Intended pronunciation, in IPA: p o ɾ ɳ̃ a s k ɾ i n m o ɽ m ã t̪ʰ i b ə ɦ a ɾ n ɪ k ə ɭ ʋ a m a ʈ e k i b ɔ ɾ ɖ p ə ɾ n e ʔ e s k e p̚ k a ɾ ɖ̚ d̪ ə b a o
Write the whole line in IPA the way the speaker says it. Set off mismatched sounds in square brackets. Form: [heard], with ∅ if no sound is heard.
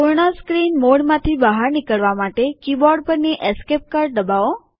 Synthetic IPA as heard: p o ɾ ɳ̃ a s k ɾ i n m o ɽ m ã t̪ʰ i b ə ɦ a ɾ n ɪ k ə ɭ ʋ a m a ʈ e k i b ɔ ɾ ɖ p ə ɾ n e ʔ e s k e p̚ k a ɾ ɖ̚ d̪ ə b a o